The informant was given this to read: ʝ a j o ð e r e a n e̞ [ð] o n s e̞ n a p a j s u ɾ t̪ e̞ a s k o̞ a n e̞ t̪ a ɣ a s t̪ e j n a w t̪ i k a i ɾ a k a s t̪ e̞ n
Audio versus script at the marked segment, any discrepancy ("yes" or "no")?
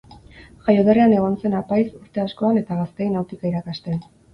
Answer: yes